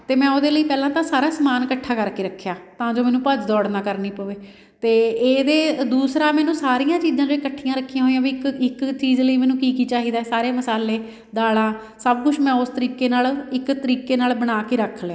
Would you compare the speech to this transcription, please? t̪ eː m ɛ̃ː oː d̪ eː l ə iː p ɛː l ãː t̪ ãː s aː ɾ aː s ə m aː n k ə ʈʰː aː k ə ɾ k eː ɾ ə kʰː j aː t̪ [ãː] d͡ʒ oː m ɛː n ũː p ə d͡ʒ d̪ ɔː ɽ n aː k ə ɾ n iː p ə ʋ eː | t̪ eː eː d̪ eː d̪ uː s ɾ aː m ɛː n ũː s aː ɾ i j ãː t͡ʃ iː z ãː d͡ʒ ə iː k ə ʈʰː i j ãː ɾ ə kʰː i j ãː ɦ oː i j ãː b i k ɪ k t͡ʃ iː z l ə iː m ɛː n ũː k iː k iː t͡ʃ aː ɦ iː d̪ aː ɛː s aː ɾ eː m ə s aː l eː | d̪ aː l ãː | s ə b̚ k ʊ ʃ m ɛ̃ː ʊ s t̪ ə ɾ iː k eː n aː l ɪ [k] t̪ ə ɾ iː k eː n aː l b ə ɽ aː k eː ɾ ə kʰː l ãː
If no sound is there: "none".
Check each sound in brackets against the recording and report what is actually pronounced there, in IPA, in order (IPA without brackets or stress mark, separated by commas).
ãː, k